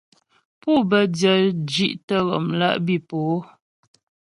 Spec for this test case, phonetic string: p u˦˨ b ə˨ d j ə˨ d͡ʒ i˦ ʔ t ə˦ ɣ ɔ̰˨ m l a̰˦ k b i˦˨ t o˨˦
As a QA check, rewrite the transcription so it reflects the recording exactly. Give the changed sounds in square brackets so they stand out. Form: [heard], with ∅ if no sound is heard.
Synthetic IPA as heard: p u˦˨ b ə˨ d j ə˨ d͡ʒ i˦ ʔ t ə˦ ɣ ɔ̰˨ m l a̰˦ [ʔ] b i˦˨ [p] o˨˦